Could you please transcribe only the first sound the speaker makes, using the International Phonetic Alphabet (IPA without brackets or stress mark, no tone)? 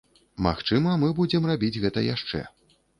m